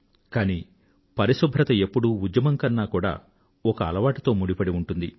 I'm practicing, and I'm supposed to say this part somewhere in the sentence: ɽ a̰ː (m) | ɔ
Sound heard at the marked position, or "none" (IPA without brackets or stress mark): none